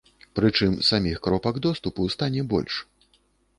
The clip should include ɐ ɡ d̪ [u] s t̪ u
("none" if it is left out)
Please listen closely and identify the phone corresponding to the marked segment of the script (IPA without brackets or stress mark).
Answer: ɔ